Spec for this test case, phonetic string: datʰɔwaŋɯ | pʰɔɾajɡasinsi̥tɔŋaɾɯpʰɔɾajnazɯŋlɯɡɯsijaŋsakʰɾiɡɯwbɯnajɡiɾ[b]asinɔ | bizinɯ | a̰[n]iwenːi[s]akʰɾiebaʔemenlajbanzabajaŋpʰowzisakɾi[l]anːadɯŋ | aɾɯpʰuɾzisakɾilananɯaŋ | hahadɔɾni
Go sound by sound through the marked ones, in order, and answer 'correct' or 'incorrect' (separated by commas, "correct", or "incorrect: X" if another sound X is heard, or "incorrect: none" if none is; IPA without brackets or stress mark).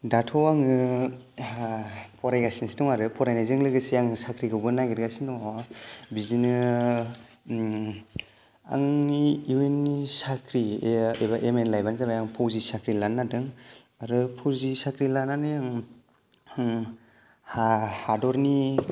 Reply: incorrect: ɡ, incorrect: ŋ, correct, correct